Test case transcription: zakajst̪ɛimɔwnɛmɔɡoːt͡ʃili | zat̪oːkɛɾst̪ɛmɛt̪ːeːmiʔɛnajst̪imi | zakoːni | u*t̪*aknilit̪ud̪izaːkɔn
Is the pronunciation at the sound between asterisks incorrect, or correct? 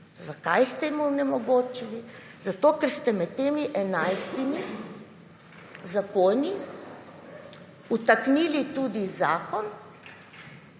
correct